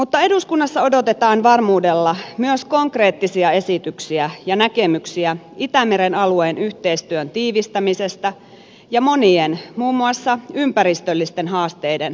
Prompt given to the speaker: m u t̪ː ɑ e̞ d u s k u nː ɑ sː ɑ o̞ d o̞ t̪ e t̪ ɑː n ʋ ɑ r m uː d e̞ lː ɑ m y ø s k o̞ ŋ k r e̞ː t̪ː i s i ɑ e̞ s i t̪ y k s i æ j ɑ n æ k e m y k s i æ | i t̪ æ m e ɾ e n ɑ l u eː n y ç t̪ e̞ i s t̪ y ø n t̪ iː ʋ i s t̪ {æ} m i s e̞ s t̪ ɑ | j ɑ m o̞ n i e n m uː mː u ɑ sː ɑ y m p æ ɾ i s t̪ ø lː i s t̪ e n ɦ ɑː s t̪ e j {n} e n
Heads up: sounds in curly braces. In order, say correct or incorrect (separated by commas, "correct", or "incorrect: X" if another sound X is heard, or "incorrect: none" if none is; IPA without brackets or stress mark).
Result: correct, incorrect: d